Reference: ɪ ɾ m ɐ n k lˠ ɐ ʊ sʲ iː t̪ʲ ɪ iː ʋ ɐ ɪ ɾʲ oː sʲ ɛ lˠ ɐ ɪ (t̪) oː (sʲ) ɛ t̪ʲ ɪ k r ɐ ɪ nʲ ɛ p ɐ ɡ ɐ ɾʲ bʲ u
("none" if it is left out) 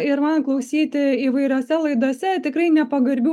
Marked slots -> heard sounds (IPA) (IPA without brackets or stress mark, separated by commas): d̪, sʲ